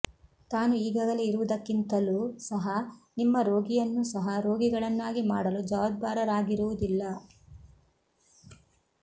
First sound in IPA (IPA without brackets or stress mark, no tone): t̪